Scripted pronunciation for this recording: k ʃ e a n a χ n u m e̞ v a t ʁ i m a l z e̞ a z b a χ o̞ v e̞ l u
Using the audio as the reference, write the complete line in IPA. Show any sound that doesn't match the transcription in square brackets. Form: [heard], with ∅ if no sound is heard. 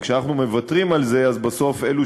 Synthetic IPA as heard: k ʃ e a n a χ n u m e̞ v a t ʁ i m a l z e̞ a z b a [s] o̞ [f] e̞ l u